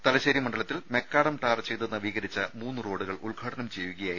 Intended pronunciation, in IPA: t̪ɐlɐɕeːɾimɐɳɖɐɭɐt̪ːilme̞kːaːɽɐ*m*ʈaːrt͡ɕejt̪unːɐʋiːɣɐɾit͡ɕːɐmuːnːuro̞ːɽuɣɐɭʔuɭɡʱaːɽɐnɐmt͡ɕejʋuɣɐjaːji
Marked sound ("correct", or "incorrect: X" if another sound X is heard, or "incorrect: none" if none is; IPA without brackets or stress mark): correct